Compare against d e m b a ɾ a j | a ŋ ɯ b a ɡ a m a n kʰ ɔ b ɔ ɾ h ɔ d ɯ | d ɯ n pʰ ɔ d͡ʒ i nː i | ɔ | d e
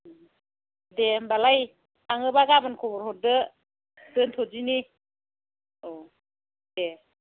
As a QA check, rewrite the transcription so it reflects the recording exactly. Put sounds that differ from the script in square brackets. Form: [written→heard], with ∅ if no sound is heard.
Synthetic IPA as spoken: d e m b a [ɾ→l] a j | a ŋ ɯ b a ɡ a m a n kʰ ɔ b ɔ ɾ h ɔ d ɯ | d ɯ n [pʰ→tʰ] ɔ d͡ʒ i [nː→n] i | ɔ | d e